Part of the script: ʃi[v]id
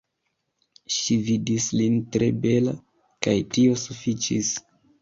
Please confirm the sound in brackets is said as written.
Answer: yes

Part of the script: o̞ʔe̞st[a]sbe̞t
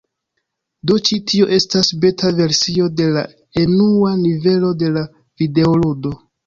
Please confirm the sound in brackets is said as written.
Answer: yes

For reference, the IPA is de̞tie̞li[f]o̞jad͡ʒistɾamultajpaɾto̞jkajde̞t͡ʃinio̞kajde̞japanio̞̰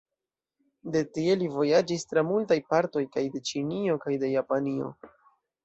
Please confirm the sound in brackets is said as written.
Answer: no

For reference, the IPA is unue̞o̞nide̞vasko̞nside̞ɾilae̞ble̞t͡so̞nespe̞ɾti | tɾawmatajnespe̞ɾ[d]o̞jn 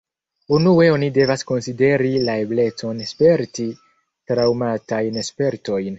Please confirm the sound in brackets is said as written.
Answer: no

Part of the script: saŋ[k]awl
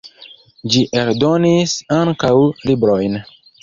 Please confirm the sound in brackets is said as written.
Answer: yes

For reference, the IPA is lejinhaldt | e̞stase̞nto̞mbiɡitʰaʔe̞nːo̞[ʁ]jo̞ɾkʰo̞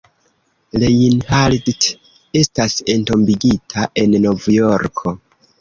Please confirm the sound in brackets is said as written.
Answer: no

